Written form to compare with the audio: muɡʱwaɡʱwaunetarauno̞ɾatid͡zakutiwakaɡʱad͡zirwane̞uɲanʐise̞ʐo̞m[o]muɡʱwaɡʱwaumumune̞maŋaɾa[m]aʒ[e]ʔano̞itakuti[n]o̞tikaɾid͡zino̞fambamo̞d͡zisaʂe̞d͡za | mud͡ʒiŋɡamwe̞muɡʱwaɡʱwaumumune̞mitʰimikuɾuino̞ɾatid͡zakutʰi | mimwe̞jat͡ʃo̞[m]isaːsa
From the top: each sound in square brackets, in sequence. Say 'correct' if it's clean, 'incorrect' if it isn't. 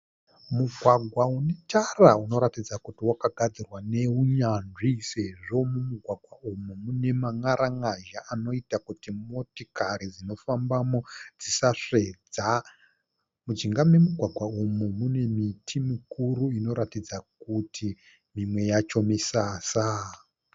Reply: incorrect, incorrect, incorrect, incorrect, correct

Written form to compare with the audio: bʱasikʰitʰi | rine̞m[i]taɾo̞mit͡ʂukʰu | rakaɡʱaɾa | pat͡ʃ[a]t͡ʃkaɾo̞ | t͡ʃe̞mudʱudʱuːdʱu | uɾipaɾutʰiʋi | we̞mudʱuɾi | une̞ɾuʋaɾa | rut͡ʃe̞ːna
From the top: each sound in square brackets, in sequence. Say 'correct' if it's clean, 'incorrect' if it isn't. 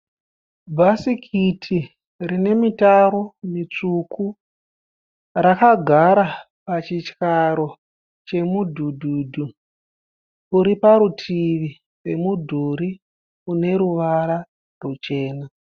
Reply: correct, incorrect

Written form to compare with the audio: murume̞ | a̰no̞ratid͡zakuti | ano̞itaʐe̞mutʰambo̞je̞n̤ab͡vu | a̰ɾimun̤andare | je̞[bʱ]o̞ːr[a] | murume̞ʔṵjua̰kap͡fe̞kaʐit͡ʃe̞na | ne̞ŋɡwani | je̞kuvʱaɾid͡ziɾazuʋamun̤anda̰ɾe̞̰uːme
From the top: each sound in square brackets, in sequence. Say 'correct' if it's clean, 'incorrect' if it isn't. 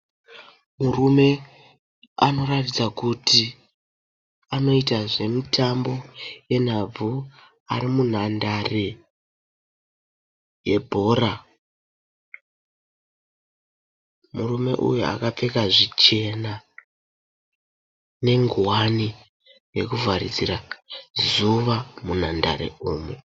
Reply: correct, correct

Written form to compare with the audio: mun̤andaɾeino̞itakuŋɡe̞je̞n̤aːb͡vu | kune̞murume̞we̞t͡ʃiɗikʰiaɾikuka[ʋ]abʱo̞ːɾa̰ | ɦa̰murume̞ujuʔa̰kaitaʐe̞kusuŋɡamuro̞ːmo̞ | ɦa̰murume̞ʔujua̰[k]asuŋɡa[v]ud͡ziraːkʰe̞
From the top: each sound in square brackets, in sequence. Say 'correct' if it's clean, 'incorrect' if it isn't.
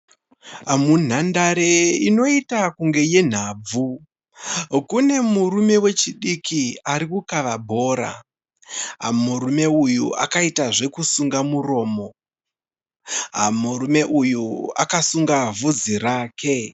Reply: correct, correct, correct

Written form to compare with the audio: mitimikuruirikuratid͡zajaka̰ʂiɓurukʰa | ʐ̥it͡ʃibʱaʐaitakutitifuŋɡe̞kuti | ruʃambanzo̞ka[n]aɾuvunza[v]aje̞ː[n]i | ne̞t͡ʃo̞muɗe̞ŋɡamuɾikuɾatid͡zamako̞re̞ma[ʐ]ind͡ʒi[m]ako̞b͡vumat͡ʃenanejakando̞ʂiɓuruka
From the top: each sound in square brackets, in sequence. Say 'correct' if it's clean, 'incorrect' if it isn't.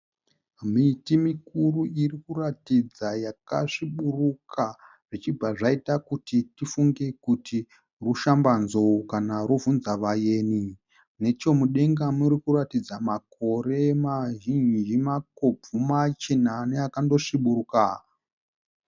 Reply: correct, incorrect, correct, incorrect, correct

